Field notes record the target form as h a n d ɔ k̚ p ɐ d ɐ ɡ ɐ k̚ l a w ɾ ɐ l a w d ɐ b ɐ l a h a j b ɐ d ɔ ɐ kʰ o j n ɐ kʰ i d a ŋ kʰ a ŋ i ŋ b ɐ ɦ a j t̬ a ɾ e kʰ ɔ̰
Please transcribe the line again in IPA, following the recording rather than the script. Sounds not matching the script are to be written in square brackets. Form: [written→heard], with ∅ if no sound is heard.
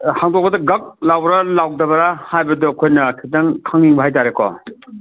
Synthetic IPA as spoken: h a [n→ŋ] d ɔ k̚ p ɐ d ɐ ɡ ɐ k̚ l a w ɾ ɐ l a w d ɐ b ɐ [l→ɾ] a h a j b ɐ d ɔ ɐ kʰ o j n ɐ kʰ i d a ŋ kʰ a ŋ i ŋ b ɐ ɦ a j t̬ a ɾ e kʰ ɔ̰